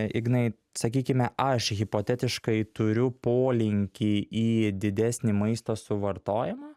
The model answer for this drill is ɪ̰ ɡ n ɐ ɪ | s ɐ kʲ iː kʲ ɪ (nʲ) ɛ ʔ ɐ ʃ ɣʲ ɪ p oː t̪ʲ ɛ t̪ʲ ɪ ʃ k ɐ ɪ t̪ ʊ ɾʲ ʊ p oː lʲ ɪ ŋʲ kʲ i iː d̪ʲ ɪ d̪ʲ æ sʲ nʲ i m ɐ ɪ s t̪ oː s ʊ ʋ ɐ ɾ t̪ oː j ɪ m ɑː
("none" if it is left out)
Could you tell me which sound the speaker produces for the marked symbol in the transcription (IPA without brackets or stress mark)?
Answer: mʲ